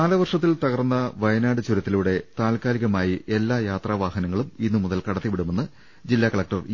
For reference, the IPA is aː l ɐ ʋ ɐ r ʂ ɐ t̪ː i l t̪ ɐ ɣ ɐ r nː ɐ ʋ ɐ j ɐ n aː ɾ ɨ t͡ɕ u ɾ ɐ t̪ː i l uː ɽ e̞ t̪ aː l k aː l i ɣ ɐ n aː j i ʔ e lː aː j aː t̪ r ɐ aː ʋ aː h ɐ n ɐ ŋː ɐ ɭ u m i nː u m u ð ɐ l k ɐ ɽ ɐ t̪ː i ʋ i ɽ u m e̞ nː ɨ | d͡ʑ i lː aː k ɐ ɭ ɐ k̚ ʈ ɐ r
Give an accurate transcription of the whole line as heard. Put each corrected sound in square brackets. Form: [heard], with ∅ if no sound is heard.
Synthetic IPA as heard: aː l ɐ ʋ ɐ r ʂ ɐ t̪ː i l t̪ ɐ ɣ ɐ r nː ɐ ʋ ɐ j ɐ n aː [ɽ] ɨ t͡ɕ u ɾ ɐ t̪ː i l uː ɽ e̞ t̪ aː l k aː l i ɣ ɐ [m] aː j i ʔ e lː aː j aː t̪ r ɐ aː ʋ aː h ɐ n ɐ ŋː ɐ ɭ u m i nː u m u ð ɐ l k ɐ ɽ ɐ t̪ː i ʋ i ɽ u m e̞ nː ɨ | d͡ʑ i lː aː k ɐ ɭ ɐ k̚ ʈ ɐ r